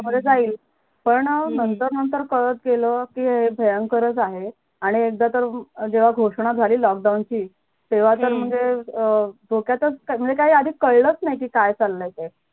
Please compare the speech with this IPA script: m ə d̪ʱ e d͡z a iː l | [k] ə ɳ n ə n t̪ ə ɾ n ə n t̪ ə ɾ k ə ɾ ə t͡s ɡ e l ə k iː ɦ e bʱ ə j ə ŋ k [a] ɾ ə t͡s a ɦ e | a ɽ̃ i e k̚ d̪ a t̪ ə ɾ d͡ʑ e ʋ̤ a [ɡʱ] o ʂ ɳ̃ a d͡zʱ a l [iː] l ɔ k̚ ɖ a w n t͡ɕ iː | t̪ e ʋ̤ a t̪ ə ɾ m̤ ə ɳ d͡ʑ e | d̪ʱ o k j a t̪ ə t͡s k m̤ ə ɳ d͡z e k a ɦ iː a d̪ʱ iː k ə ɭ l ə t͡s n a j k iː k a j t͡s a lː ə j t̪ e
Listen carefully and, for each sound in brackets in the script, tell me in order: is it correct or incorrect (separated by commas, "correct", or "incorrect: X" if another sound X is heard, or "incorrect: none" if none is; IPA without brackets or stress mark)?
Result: incorrect: p, incorrect: ə, correct, correct